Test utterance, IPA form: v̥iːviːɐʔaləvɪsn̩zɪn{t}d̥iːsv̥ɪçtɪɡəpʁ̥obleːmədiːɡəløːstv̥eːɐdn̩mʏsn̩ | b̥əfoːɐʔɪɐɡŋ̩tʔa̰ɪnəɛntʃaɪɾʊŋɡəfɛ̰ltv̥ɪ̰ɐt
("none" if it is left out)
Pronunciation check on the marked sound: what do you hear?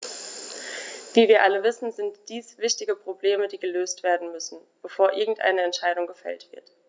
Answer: t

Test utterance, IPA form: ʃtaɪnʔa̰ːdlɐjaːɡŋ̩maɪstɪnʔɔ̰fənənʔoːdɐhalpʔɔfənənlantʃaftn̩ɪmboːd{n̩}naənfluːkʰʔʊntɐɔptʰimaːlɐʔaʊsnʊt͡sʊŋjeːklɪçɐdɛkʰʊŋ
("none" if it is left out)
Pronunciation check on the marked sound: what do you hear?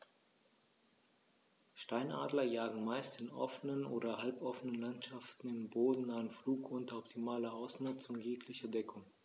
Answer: n̩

